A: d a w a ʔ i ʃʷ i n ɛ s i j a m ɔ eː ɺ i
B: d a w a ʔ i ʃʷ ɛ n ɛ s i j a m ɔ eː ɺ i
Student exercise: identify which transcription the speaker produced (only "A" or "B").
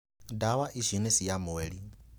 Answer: A